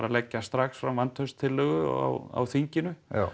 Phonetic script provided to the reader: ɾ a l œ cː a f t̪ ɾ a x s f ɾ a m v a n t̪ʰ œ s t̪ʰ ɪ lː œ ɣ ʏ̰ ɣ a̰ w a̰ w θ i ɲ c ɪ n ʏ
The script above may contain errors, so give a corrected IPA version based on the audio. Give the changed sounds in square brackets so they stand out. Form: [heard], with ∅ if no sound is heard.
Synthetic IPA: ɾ a l [ɛ] cː a [s] t̪ ɾ a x s f ɾ a m v a n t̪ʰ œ s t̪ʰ ɪ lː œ ɣ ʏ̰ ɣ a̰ w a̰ w θ i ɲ c ɪ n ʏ